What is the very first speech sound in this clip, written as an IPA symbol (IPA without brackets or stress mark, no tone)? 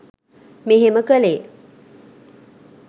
m